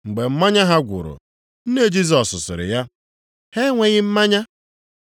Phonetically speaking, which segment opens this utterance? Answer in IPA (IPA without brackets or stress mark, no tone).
ŋ͡m̩